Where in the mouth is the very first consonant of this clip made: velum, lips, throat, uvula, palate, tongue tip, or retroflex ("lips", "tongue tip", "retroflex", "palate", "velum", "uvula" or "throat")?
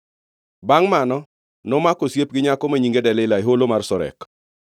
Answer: lips